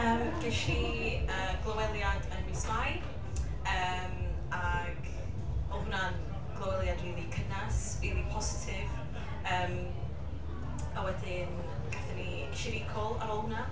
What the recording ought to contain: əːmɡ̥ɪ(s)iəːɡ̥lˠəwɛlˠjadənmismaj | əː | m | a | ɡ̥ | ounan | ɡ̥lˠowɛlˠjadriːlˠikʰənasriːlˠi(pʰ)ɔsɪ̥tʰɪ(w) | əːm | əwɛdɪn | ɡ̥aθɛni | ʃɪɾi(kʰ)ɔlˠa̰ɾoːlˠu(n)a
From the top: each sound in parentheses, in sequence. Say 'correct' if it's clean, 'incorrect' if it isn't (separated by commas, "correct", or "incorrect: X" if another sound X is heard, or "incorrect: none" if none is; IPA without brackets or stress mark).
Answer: incorrect: ʃ, correct, incorrect: v, correct, correct